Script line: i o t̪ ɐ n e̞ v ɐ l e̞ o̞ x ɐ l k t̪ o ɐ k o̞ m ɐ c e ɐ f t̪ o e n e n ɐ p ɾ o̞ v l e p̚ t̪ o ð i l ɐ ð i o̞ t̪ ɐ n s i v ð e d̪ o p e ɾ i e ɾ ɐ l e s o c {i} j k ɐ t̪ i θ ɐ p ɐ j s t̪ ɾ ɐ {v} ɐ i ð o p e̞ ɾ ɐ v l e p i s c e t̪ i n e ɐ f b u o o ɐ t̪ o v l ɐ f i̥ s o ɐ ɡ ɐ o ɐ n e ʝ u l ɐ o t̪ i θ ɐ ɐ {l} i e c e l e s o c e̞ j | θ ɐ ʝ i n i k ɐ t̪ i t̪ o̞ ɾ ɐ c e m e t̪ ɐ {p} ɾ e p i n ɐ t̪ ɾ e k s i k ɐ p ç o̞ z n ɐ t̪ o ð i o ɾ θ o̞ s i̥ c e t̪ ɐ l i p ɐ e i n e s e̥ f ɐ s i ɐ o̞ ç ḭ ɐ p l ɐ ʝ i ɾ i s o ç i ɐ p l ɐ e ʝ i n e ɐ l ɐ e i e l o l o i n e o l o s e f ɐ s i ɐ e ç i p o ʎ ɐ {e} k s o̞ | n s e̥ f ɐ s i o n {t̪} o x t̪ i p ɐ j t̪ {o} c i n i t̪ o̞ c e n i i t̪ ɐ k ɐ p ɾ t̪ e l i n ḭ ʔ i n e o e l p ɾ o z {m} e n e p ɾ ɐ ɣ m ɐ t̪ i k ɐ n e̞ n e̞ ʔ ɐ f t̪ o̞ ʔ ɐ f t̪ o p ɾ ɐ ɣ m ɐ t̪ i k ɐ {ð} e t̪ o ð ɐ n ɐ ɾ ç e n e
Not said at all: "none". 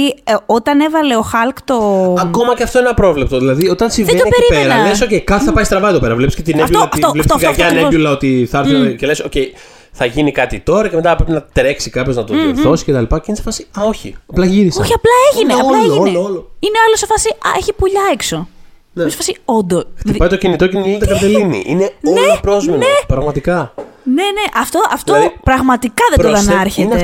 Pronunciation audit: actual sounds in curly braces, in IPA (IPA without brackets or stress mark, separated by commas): e, v, ɾ, p, e, d̪, o, m, ð